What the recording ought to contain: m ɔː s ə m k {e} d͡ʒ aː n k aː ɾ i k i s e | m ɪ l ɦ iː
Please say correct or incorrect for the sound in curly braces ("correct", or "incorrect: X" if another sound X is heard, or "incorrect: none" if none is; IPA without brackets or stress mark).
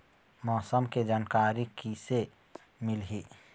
correct